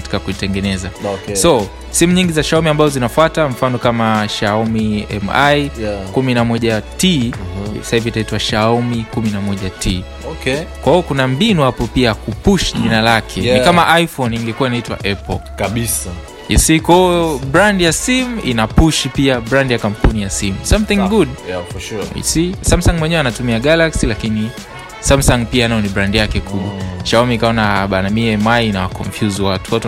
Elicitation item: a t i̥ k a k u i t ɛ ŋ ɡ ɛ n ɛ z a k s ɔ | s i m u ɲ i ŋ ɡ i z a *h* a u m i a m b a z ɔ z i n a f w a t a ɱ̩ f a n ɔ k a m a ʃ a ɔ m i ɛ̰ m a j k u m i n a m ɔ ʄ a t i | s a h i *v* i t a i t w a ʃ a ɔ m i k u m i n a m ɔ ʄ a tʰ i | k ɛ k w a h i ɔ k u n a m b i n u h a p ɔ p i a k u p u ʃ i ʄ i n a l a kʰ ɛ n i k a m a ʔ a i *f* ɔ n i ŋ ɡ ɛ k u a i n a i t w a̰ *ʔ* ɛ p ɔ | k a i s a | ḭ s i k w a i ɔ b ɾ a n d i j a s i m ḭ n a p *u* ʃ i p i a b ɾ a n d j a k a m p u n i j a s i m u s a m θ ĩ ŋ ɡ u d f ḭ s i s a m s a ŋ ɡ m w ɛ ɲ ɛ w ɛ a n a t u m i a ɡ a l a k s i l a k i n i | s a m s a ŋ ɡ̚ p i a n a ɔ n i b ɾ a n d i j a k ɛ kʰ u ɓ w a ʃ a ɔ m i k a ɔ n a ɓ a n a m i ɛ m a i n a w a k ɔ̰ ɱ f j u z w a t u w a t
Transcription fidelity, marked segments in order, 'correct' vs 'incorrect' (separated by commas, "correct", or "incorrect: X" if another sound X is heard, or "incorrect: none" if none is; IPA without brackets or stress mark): incorrect: ʃ, correct, correct, correct, correct